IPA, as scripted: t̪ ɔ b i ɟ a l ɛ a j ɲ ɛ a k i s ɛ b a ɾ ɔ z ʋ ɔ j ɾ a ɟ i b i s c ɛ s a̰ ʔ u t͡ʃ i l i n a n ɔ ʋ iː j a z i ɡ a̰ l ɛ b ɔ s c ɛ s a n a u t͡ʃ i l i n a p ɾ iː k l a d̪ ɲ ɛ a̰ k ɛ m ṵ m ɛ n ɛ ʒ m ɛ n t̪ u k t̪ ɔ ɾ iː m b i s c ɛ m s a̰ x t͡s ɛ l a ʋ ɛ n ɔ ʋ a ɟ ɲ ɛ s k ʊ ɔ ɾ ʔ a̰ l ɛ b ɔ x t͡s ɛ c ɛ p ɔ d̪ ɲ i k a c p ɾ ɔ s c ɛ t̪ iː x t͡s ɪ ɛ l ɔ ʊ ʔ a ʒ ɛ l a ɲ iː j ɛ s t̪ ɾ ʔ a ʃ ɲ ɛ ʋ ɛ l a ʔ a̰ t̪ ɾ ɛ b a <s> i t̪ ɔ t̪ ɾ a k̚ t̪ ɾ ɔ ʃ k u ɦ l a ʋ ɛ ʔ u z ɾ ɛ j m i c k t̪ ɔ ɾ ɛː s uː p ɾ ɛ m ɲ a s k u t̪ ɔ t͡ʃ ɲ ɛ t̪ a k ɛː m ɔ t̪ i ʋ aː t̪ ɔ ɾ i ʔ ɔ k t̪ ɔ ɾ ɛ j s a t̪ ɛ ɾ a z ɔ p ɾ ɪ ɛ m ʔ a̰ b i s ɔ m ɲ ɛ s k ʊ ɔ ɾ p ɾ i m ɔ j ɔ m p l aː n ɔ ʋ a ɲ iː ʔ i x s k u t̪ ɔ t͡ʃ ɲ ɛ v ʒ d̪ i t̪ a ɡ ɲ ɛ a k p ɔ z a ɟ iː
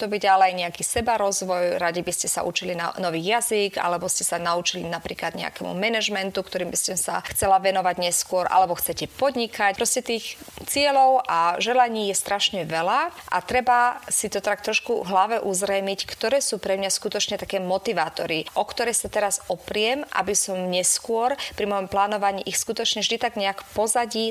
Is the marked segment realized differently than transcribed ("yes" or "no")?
no